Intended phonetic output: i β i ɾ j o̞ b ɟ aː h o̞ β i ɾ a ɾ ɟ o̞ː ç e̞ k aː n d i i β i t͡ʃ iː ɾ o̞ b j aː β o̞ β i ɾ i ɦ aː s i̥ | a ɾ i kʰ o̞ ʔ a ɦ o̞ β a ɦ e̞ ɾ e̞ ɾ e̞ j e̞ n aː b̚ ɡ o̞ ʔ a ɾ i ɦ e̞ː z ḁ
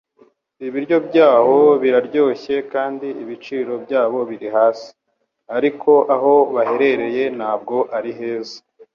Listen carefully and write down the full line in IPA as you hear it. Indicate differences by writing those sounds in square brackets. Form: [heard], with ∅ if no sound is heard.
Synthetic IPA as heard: i β i ɾ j o̞ b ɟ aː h o̞ β i ɾ a ɾ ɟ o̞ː ç e̞ k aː n d i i β i t͡ʃ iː ɾ o̞ b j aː β o̞ β i ɾ i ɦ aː s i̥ | a ɾ i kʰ o̞ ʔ a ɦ o̞ β a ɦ e̞ ɾ e̞ ɾ e̞ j e̞ n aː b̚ ɡ o̞ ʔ a ɾ i ɦ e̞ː z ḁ